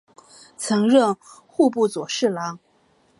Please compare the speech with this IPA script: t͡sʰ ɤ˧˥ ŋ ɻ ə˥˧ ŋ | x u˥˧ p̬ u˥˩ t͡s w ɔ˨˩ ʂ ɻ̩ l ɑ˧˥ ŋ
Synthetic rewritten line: t͡sʰ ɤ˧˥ ŋ ɻ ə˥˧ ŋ | x u˥˧ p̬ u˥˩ t͡s w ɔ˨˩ ʂ ɻ̩ l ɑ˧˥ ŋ